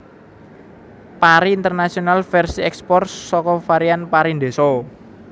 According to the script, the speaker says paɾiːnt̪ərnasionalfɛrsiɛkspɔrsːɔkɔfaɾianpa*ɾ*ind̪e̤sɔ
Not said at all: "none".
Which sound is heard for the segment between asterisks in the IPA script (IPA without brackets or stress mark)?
ɾ